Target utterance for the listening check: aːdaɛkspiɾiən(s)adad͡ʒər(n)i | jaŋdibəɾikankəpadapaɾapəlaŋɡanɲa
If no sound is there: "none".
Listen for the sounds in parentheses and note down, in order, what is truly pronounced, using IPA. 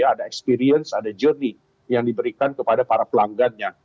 s, n

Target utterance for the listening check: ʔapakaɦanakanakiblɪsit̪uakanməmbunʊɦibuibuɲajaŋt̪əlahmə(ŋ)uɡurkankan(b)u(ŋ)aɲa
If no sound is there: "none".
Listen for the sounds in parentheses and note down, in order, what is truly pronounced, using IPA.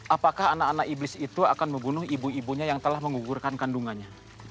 ŋ, d, ŋ

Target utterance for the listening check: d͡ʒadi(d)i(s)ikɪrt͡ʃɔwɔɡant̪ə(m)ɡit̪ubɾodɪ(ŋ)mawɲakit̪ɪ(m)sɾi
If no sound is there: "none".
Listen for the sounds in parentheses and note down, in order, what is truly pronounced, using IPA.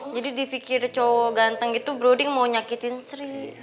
d, f, ŋ, ŋ, n

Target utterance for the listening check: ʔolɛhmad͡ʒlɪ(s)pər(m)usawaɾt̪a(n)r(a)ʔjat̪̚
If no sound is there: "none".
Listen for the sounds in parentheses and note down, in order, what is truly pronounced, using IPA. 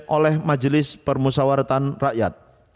s, m, n, a

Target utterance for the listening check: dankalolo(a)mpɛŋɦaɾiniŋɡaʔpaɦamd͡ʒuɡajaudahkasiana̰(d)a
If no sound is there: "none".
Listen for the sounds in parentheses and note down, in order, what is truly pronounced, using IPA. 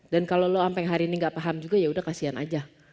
a, d͡ʒ

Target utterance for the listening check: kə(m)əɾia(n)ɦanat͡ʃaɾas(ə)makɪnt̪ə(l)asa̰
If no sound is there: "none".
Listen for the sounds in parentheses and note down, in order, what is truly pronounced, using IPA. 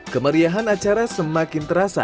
m, none, ə, ɾ

